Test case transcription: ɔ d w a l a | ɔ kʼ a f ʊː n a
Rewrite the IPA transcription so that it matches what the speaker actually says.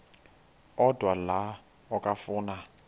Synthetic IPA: ɔ d w a l a | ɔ kʼ a f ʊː n a